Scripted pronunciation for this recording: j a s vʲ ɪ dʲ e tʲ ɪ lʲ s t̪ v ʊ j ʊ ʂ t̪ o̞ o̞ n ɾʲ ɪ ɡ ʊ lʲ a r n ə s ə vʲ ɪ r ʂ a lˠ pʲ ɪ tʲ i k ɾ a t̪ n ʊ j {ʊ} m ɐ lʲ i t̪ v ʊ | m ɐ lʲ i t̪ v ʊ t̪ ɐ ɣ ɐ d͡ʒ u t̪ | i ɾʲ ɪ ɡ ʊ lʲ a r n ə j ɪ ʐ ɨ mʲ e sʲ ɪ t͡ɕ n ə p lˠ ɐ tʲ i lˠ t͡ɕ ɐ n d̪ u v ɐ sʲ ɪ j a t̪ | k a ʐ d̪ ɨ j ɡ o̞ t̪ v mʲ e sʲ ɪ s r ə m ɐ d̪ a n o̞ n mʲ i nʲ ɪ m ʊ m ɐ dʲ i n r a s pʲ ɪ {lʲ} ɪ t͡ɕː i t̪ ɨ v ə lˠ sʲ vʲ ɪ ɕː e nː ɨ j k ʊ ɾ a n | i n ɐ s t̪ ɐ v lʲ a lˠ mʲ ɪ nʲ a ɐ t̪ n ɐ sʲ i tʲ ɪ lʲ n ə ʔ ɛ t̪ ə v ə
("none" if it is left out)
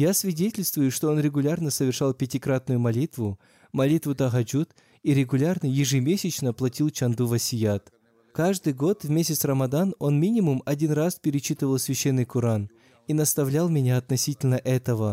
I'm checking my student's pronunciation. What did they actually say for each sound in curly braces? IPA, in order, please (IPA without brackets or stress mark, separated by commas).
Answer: ʊ, ɾʲ